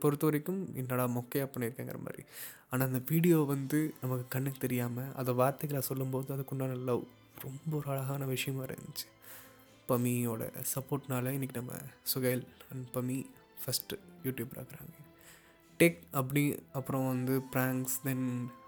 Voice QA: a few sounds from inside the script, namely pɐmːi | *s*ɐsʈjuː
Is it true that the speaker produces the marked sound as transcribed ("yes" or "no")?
no